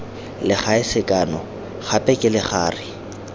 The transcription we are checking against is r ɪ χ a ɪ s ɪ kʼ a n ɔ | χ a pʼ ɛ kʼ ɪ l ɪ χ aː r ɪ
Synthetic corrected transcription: l ɪ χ a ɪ s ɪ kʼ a n ɔ | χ a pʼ ɛ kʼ ɪ l ɪ χ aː r ɪ

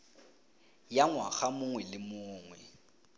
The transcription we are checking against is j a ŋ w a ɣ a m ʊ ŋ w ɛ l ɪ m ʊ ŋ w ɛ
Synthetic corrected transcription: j a ŋ w a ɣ a m ʊ ŋ w ɛ l ɪ m ʊː ŋ w ɛ

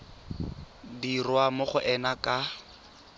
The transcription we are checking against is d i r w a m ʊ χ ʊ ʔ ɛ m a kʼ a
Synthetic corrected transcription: d i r w a m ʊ χ ʊ ʔ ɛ n a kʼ a

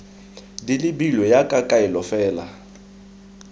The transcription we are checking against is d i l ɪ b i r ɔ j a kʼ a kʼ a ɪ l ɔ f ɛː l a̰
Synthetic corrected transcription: d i l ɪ b i l ɔ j a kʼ a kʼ a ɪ l ɔ f ɛː l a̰

